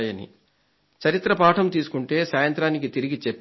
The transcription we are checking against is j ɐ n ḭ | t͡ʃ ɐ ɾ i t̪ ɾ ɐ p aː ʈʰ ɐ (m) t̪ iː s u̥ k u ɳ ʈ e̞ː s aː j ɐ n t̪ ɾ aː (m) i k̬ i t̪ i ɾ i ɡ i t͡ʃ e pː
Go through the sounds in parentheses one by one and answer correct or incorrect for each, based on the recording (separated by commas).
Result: correct, incorrect